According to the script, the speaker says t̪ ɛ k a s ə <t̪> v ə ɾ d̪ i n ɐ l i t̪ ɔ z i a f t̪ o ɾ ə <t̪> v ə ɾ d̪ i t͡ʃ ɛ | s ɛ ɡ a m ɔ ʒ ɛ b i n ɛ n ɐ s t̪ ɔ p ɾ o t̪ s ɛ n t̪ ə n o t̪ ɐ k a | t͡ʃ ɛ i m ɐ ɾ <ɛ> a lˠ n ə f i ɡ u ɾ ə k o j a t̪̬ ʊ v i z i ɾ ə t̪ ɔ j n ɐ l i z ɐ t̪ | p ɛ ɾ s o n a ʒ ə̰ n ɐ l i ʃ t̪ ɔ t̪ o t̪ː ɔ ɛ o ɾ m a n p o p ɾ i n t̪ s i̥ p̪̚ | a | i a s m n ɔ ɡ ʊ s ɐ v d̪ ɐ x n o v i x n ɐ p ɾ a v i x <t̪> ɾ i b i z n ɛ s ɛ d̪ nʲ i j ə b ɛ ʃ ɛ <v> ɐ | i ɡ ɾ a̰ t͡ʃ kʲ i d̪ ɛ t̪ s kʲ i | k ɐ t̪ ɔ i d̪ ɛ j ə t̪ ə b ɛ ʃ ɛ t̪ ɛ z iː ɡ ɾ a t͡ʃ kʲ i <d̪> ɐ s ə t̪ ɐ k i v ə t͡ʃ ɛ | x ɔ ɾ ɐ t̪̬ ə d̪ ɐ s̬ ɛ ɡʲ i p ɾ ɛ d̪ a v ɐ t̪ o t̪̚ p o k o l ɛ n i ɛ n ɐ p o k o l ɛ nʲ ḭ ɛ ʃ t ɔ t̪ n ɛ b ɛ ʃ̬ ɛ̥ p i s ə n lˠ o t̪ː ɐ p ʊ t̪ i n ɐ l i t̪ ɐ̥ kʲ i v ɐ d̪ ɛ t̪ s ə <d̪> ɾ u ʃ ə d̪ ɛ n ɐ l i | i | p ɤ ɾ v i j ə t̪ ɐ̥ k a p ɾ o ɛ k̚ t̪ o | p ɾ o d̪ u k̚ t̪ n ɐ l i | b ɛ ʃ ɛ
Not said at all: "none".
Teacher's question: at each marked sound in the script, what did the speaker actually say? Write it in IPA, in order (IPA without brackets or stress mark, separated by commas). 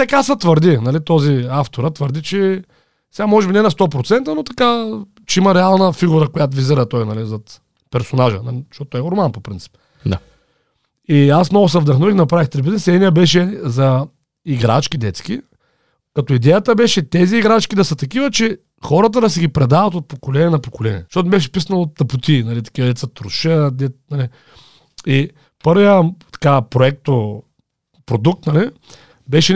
t̪, t̪, ɛ, t̪, z, d̪, t̪